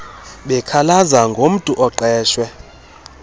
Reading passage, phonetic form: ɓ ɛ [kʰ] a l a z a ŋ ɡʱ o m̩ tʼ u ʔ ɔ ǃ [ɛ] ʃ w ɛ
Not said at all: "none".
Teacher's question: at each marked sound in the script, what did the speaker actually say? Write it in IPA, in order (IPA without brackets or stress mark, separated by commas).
kʰ, ɛː